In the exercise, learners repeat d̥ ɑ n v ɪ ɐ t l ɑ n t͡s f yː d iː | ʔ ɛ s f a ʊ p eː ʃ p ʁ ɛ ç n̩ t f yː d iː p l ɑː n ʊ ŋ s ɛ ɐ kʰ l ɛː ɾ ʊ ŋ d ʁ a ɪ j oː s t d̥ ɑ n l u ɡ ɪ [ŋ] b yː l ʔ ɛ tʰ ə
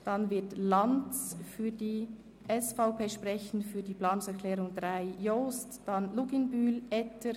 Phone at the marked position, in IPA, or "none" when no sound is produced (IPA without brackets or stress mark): n